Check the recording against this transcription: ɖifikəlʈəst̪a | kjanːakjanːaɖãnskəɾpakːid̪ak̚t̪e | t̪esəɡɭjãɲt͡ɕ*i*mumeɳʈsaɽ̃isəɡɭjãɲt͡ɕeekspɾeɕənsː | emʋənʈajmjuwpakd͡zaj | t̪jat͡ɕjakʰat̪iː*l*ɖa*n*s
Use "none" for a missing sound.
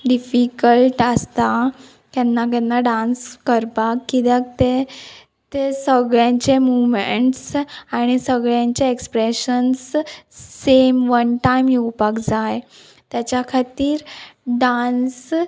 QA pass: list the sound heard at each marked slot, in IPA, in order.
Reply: e, ɾ, n

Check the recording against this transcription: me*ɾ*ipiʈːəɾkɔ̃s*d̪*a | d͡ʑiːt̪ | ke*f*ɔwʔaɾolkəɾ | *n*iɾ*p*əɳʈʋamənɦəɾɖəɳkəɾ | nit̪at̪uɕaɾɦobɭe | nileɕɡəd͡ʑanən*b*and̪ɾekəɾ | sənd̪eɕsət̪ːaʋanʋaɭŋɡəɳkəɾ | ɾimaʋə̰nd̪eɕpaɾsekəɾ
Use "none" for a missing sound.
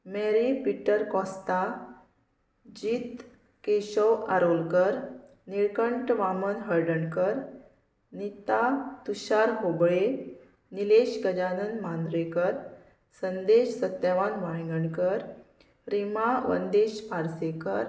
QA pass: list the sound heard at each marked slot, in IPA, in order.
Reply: ɾ, t̪, ɕ, n, k, m

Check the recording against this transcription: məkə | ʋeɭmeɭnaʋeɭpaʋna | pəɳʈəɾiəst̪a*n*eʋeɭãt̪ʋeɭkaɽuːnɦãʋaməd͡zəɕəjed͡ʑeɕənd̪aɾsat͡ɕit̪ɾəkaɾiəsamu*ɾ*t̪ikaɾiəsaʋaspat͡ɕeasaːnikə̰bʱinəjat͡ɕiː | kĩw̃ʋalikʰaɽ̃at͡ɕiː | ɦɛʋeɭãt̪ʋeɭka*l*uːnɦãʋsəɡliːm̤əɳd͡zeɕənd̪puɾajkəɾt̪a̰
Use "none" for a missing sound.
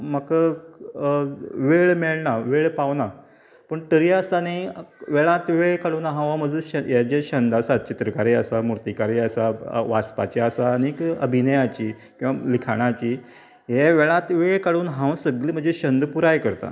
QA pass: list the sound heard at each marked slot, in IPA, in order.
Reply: n, ɾ, ɽ

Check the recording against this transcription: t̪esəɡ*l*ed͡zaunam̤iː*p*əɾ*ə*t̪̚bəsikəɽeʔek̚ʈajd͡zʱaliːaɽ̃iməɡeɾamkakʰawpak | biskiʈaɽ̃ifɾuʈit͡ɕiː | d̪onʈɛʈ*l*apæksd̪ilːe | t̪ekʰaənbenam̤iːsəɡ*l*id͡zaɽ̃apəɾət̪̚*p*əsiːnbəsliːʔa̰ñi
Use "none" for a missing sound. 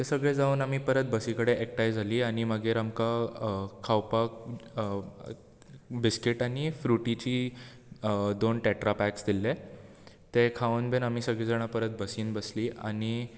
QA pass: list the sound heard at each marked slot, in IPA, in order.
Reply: ɭ, p, ə, ɾ, ɭ, b

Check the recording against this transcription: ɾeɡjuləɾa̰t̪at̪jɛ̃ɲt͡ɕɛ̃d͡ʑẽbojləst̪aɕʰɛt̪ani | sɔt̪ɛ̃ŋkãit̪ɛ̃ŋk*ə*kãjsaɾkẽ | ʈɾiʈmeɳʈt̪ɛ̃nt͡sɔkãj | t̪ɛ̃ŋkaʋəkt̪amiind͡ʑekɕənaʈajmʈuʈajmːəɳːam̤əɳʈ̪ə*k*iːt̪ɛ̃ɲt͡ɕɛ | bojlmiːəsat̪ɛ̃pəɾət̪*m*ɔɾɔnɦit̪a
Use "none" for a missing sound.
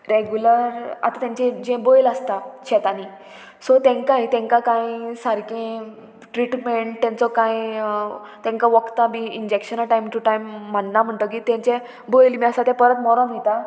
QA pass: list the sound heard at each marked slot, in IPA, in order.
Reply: a, k, m

